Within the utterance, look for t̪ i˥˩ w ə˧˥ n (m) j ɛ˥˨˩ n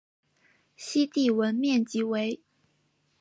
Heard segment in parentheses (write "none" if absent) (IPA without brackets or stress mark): m